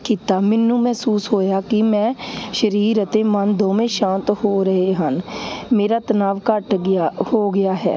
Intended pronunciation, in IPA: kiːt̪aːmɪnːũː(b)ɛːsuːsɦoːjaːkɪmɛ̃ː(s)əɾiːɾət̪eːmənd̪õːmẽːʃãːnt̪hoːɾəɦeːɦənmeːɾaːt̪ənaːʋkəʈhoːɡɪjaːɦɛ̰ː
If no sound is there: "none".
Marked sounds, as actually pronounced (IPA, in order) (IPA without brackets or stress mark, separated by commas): m, ʃ